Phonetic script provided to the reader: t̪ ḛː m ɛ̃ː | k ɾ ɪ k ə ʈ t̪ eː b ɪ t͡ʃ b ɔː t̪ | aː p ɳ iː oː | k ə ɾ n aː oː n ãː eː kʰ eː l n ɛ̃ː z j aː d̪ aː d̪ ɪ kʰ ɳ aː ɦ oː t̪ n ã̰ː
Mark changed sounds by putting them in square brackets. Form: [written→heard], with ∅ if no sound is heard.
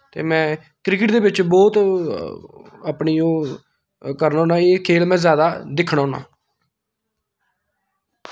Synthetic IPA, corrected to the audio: t̪ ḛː m ɛ̃ː | k ɾ ɪ k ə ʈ [t̪→d̪] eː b ɪ t͡ʃ b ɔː t̪ | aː p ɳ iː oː | k ə ɾ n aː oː n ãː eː kʰ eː l [n→m] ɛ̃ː z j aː d̪ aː d̪ ɪ kʰ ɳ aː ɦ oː [t̪→∅] n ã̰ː